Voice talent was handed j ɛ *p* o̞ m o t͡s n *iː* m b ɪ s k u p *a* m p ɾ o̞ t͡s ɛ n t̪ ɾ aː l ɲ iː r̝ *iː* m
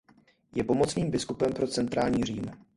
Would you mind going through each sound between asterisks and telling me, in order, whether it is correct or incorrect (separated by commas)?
correct, correct, incorrect, correct